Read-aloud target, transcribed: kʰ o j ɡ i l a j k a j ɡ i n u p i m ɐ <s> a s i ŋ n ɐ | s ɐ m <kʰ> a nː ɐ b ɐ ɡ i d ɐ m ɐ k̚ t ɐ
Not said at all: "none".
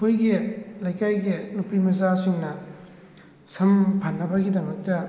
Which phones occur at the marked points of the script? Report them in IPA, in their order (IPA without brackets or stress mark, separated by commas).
z, pʰ